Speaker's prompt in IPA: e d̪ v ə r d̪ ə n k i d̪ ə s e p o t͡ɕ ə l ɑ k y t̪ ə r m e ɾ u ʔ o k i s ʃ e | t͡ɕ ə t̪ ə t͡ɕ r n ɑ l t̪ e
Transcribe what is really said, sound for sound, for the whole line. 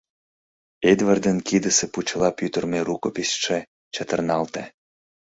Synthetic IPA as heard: e d̪ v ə r d̪ ə n k i d̪ ə s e p u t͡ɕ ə l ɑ p y t̪ ə r m e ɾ u k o p i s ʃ e | t͡ɕ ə t̪ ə r n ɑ l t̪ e